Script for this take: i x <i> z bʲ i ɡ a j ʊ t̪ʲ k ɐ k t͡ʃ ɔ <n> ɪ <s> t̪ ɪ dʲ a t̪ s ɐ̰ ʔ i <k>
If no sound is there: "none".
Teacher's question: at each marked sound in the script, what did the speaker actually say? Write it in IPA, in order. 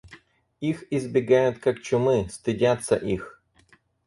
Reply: i, m, s, x

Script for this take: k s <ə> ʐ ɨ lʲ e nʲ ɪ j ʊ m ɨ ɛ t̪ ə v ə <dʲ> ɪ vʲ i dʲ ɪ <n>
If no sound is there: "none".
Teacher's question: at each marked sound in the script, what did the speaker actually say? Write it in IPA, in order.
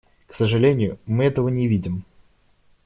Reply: ə, nʲ, m

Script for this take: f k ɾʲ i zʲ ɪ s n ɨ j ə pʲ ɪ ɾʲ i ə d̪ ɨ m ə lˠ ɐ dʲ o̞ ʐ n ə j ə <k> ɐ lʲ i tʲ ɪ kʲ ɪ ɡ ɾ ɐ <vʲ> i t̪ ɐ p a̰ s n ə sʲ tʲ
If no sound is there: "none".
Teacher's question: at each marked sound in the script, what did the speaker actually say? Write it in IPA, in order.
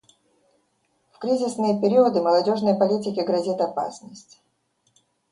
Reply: p, zʲ

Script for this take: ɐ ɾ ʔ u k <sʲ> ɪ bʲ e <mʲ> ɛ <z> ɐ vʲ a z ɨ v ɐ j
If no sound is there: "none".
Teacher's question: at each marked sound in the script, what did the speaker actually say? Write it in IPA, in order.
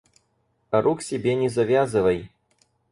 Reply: sʲ, nʲ, z

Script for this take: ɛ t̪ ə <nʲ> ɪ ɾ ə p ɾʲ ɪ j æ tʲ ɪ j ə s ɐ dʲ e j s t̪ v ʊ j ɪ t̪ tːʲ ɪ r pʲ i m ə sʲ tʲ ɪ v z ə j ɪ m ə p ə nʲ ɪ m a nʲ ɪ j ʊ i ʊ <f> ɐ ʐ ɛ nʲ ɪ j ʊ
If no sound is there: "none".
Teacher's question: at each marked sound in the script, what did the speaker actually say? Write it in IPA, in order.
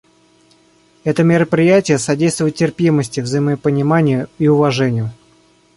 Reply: mʲ, v

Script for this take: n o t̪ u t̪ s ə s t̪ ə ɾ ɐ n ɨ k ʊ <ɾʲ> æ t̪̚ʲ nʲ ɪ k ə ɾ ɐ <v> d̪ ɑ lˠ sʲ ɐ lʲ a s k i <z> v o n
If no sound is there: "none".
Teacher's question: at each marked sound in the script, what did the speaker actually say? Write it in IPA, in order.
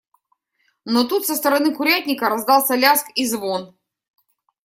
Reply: ɾʲ, z, z

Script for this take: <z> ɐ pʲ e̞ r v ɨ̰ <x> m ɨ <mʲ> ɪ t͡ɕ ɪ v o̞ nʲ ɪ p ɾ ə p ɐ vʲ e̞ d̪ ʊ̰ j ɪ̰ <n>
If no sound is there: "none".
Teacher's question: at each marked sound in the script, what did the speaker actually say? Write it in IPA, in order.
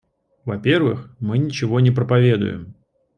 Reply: v, x, nʲ, m

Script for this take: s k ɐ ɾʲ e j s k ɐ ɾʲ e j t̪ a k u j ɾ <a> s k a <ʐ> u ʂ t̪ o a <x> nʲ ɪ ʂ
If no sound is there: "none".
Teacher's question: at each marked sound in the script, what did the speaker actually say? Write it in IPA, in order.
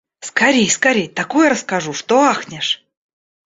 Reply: ə, ʐ, x

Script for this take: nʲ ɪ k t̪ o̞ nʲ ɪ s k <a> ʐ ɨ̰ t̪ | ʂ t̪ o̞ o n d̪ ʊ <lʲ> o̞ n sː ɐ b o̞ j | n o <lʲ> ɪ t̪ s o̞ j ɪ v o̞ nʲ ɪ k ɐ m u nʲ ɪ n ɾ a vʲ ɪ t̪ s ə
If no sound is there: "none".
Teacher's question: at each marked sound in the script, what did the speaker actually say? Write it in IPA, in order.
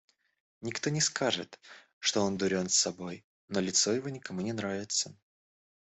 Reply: a, ɾʲ, lʲ

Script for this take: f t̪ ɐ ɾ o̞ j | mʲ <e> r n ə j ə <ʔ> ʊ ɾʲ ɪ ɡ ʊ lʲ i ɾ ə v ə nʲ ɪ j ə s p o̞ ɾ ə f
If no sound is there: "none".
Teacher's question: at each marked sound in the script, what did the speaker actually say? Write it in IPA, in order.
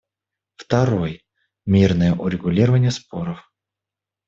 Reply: i, ʔ

